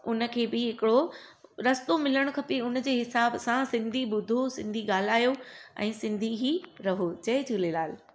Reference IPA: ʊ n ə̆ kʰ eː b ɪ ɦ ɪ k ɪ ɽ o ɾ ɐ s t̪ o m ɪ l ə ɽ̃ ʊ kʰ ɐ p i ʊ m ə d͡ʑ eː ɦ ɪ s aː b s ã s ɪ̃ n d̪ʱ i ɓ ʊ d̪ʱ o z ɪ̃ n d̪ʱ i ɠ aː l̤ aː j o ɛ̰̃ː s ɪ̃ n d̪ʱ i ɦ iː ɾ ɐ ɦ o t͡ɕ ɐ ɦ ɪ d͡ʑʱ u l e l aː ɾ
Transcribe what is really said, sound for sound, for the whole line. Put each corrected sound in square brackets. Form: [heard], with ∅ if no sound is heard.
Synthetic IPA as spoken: ʊ n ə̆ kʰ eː b ɪ ɦ ɪ k ɪ ɽ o ɾ ɐ s t̪ o m ɪ l ə ɽ̃ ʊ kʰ ɐ p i ʊ [n] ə d͡ʑ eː ɦ ɪ s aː b s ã s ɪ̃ n d̪ʱ i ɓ ʊ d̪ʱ o [s] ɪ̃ n d̪ʱ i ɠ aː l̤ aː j o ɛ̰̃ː s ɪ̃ n d̪ʱ i ɦ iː ɾ ɐ ɦ o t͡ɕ ɐ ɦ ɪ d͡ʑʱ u l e l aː [l]